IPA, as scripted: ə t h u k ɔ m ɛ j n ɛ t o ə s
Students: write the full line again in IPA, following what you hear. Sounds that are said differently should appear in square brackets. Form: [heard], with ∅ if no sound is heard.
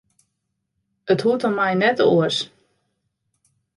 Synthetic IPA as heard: ə t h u [t] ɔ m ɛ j n ɛ t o ə s